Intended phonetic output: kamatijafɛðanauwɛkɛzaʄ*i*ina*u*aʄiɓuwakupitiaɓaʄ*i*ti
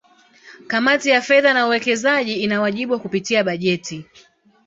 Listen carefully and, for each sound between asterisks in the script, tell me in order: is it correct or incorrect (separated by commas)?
correct, incorrect, incorrect